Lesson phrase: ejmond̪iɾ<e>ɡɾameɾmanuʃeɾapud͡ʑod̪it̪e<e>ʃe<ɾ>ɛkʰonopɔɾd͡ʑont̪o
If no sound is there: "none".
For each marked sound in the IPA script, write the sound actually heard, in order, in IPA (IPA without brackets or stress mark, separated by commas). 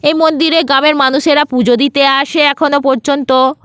e, a, none